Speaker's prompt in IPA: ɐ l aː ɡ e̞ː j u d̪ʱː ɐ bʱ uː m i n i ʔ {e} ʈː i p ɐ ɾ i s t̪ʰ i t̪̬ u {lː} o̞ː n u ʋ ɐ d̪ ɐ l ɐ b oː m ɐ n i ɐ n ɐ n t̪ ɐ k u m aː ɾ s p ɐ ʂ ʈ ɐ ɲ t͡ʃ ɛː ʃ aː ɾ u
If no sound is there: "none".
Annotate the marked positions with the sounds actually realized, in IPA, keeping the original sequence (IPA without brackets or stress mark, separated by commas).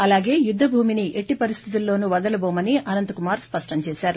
e, lː